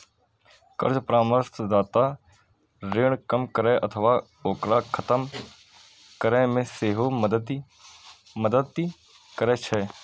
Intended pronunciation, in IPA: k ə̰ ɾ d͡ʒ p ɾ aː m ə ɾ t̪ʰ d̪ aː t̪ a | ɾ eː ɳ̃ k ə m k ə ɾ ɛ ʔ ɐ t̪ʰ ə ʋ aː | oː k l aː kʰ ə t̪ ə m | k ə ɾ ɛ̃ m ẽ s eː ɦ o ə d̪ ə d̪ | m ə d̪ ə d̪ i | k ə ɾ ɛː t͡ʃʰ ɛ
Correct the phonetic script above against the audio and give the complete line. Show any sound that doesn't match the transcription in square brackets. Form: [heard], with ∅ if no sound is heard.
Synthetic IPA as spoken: k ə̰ ɾ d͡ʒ p ɾ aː m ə ɾ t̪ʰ d̪ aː t̪ a | ɾ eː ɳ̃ k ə m k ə ɾ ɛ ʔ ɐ t̪ʰ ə ʋ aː | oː k [ɾ] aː kʰ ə t̪ ə m | k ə ɾ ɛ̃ m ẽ s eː ɦ o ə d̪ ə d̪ | m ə d̪ ə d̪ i | k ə ɾ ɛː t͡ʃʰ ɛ

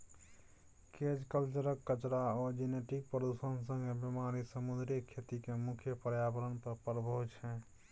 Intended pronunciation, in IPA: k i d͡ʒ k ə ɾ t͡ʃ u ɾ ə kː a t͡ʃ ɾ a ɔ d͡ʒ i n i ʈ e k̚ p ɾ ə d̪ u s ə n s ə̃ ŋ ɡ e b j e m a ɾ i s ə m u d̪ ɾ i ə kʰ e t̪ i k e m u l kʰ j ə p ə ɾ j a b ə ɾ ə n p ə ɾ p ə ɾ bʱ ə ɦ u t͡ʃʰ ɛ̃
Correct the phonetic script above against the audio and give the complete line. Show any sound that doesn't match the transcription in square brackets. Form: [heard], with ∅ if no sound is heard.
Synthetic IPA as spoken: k [e] d͡ʒ k ə [l] t͡ʃ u ɾ ə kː [ə] t͡ʃ ɾ a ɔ d͡ʒ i n [e] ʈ [i] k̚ p ɾ ə d̪ u s ə n s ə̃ ŋ ɡ e b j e m a ɾ i s ə m u d̪ ɾ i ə kʰ e t̪ i k e m u [∅] kʰ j ə p ə ɾ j a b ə ɾ ə n p ə ɾ p ə ɾ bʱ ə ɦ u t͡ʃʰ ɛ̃

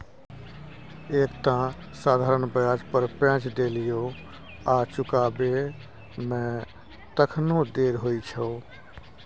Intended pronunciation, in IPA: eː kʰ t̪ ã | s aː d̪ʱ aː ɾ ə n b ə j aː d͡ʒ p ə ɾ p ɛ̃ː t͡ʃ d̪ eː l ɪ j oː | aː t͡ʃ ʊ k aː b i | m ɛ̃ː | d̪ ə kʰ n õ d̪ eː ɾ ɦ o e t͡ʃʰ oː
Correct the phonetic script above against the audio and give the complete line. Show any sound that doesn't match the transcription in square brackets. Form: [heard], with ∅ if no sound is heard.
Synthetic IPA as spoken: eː [k] t̪ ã | s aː d̪ʱ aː ɾ ə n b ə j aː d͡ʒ p ə ɾ p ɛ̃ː t͡ʃ d̪ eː l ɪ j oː | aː t͡ʃ ʊ k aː b [e] | m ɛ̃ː | [t̪] ə kʰ n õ d̪ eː ɾ ɦ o [i] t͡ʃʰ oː

